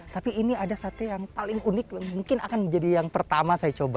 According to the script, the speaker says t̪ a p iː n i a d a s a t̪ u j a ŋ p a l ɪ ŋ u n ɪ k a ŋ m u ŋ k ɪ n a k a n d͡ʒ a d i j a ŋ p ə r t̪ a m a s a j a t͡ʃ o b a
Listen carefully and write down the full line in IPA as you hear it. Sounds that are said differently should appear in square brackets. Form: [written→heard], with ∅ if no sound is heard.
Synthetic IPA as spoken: t̪ a p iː n i a d a s a t̪ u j a ŋ p a l ɪ ŋ u n ɪ k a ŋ m u ŋ k ɪ n a k a n d͡ʒ a d i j a ŋ p ə r t̪ a m a s a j a t͡ʃ o b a